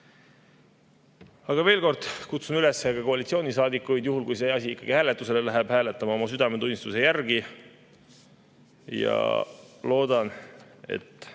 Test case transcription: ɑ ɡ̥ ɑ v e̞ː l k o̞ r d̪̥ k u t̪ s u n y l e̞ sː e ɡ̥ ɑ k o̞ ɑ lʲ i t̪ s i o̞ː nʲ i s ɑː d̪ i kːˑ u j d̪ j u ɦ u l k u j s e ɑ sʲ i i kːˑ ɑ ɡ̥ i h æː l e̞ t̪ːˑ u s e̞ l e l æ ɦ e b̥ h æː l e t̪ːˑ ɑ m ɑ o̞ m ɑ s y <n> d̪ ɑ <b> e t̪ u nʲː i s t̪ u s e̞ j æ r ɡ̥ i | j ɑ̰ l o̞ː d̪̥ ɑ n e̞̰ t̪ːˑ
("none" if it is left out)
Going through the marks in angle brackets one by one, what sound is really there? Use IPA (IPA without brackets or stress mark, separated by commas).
none, m